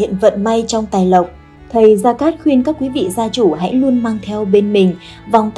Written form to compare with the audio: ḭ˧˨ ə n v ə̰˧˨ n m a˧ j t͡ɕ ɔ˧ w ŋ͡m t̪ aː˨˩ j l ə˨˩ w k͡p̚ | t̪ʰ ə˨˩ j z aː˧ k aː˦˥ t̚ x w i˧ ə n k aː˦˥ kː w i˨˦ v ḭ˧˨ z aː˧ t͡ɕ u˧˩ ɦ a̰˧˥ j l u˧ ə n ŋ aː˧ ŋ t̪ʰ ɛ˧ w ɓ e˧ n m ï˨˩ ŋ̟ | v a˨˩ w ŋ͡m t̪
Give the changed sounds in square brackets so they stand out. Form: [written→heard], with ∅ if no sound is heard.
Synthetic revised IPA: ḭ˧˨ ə n v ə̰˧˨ n m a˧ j t͡ɕ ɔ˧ w ŋ͡m t̪ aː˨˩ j l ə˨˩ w k͡p̚ | t̪ʰ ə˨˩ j z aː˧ k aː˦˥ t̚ x w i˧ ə n k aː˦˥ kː w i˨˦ v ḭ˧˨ z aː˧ t͡ɕ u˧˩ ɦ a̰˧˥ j l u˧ ə n [ŋ→m] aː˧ ŋ t̪ʰ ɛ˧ w ɓ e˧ n m ï˨˩ ŋ̟ | v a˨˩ w ŋ͡m t̪